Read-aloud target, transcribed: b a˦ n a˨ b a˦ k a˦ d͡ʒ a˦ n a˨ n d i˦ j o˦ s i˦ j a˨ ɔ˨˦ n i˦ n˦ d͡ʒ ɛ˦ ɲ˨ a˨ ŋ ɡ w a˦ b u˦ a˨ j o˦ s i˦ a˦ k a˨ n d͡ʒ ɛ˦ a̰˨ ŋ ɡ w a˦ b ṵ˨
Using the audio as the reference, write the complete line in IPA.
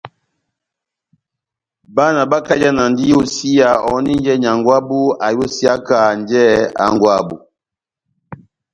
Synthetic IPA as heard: b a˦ n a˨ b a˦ k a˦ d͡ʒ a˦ n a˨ n d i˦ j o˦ s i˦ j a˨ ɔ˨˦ n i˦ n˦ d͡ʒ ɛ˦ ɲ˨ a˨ ŋ ɡ w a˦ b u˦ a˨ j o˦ s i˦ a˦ k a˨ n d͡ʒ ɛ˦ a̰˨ ŋ ɡ w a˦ b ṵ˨